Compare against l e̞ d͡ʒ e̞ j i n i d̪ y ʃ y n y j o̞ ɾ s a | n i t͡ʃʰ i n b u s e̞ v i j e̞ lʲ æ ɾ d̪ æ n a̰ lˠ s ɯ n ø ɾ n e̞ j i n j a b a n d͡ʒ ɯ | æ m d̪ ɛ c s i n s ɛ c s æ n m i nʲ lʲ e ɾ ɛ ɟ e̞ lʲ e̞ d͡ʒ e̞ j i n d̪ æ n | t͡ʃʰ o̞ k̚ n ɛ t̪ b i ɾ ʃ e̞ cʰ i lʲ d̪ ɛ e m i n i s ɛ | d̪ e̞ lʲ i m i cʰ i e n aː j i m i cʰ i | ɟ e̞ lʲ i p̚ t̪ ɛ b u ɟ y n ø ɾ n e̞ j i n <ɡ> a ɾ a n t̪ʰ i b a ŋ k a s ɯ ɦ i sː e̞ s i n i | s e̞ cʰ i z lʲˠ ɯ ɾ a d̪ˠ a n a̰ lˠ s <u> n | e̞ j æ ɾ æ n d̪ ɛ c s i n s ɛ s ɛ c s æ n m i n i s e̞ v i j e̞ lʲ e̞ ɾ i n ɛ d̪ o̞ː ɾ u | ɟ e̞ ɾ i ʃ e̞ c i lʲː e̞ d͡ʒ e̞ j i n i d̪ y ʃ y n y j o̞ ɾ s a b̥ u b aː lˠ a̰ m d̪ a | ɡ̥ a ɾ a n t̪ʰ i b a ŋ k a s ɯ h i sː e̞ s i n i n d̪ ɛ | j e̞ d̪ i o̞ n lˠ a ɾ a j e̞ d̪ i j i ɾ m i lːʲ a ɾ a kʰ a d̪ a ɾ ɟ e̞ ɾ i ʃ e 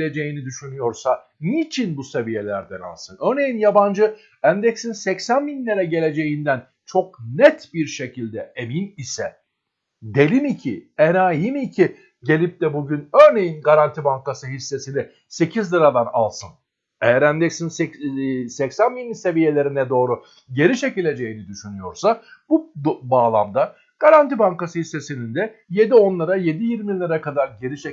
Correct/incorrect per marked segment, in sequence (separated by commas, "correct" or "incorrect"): correct, incorrect